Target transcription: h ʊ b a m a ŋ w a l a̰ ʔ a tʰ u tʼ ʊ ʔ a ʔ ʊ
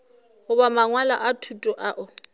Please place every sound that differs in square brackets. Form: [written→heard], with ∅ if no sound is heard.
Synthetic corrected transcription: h ʊ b a m a ŋ w a l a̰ ʔ a tʰ u tʼ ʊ ʔ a ʔ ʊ

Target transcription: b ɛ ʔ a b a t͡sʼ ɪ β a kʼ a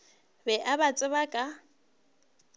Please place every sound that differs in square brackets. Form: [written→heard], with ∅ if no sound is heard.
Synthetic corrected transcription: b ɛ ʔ a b a t͡sʼ ɪ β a kʼ a

